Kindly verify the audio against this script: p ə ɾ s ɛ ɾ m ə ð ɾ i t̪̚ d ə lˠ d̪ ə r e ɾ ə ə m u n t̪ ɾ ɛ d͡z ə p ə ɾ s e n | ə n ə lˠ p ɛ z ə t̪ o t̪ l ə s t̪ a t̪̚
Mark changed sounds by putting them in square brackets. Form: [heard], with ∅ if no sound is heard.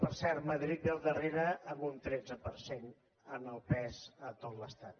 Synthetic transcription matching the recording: p ə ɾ s ɛ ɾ m ə ð ɾ i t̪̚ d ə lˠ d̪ ə r e ɾ ə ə m u n t̪ ɾ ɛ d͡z ə p ə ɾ s e n | ə n ə lˠ p ɛ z ə t̪ o t̪ l ə s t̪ a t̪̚